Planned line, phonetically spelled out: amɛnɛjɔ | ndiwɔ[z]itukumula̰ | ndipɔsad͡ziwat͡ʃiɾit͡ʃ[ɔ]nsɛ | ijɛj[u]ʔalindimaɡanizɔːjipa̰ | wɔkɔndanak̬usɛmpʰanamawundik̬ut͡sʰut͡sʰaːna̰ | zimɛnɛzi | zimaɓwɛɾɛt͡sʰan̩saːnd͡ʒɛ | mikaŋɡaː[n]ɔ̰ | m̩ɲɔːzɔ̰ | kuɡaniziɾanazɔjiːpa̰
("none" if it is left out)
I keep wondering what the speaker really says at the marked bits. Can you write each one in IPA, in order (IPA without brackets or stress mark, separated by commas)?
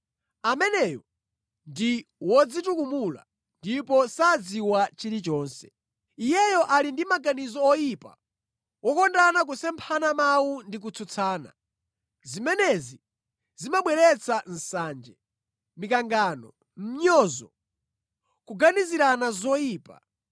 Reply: d͡z, ɔː, ɔ, n